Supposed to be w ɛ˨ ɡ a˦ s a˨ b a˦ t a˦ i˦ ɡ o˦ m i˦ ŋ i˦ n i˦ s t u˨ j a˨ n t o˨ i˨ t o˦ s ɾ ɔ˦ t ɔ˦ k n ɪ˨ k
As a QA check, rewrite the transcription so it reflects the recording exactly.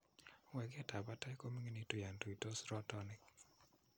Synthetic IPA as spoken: w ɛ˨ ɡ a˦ t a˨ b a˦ t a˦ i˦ k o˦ m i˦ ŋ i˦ n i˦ t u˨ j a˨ n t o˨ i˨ t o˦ s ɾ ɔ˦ t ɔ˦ n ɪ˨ k